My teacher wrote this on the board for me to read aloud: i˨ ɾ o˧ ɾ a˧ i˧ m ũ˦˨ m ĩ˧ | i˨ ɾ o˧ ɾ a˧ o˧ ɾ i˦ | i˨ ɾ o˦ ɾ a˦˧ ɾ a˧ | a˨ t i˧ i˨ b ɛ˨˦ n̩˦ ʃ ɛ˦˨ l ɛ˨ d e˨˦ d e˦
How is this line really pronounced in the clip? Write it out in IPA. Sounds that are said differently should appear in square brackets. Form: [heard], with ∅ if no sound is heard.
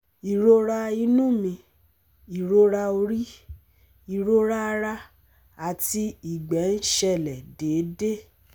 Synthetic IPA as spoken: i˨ ɾ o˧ ɾ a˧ i˧ [n] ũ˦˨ m ĩ˧ | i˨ ɾ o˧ ɾ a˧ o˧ ɾ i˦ | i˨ ɾ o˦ ɾ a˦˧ ɾ a˧ | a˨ t i˧ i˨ [ɡ͡b] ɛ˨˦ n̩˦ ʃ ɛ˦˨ l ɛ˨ d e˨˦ d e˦